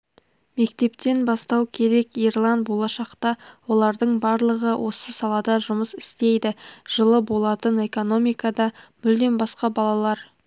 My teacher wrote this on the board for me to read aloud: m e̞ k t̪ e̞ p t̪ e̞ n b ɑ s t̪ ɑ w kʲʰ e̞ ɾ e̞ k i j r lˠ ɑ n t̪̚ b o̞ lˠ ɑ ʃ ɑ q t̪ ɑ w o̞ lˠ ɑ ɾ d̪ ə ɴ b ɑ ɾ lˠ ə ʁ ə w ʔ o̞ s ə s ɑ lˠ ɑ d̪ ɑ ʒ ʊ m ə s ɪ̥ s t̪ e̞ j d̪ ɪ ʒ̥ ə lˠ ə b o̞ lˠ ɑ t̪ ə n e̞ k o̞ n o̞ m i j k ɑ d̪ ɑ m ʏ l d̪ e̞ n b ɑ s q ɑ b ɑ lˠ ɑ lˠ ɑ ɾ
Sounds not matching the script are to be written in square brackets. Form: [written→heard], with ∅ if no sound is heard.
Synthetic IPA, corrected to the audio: m e̞ k t̪ e̞ p t̪ e̞ n b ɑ s t̪ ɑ w kʲʰ e̞ ɾ e̞ k i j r lˠ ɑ n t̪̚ b o̞ lˠ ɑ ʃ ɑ q t̪ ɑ w o̞ lˠ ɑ ɾ d̪ ə ɴ b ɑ ɾ lˠ ə ʁ ə w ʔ o̞ s ə s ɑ lˠ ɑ d̪ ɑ ʒ ʊ m ə s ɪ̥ s t̪ e̞ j d̪ ɪ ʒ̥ ə lˠ ə b o̞ lˠ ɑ t̪ ə n e̞ k o̞ n o̞ m i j k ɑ d̪ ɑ m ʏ l d̪ e̞ n b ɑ s q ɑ b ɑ lˠ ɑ lˠ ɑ ɾ